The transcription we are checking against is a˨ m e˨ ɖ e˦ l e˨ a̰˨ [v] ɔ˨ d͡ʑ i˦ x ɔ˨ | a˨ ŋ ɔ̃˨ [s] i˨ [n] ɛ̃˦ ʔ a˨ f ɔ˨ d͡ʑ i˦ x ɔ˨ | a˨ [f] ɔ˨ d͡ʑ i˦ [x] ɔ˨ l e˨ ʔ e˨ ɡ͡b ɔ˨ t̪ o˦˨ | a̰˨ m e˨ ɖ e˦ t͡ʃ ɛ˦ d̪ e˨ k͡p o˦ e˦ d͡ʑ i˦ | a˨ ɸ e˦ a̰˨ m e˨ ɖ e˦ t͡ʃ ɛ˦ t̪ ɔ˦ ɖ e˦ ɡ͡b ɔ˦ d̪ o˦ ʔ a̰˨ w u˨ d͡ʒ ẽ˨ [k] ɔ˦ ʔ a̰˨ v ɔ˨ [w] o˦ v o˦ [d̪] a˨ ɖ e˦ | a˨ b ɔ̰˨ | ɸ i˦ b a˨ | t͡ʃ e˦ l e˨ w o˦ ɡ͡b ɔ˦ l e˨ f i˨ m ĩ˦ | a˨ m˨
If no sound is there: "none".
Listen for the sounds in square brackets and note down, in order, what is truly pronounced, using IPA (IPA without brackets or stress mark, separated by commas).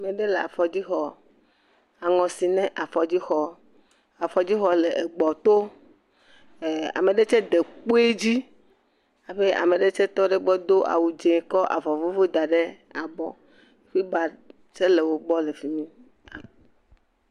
f, s, n, f, x, k, v, d̪